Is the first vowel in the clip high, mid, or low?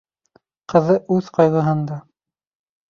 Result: mid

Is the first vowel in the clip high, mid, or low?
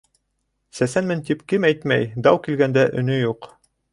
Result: low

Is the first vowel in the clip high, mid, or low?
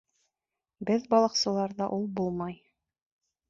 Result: mid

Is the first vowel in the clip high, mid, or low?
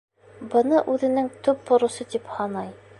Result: mid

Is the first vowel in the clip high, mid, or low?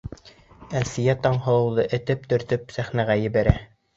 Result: low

